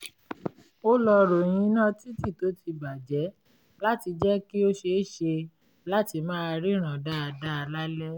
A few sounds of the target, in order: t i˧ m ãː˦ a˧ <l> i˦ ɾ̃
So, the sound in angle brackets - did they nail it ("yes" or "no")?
no